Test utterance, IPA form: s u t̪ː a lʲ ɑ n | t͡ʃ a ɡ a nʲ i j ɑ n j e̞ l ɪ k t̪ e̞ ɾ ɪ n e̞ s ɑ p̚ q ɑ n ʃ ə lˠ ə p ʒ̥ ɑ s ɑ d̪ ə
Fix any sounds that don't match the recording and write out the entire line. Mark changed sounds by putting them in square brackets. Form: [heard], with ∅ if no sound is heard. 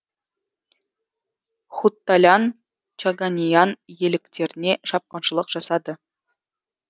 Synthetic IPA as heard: [χ] u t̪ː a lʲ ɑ n | t͡ʃ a ɡ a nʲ i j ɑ n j e̞ l ɪ k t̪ e̞ ɾ ɪ n e̞ [ʃ] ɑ p̚ q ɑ n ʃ ə lˠ ə [q] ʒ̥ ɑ s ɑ d̪ ə